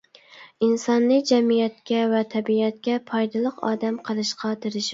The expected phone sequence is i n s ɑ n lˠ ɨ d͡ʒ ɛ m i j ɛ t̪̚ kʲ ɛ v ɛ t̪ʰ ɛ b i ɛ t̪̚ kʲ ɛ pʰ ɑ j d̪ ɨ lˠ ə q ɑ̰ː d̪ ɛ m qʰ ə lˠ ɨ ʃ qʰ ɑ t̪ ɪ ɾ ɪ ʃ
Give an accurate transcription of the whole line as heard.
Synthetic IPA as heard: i n s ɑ n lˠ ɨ d͡ʒ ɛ m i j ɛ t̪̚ kʲ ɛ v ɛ t̪ʰ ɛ b i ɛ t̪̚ kʲ ɛ pʰ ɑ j d̪ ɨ lˠ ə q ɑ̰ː d̪ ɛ m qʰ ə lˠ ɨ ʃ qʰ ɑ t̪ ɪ ɾ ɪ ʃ